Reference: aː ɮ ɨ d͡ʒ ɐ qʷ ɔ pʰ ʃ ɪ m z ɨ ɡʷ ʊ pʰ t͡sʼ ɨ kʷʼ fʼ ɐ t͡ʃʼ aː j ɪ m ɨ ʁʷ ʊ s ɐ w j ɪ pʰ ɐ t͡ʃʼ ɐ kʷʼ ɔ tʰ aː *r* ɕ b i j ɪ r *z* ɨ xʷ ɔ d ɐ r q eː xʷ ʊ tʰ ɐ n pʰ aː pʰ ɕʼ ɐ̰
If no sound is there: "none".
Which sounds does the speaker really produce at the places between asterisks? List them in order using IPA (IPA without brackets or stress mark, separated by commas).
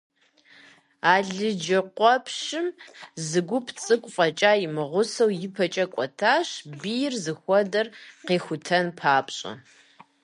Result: none, z